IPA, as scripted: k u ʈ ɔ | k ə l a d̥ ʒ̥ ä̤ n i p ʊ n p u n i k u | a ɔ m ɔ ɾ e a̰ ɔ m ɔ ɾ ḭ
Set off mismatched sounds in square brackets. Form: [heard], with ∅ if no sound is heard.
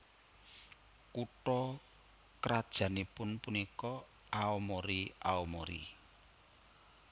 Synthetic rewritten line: k u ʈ ɔ | k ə [ɾ] a d̥ ʒ̥ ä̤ n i p ʊ n p u n i k [ɔ] | a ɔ m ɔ ɾ [i] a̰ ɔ m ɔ ɾ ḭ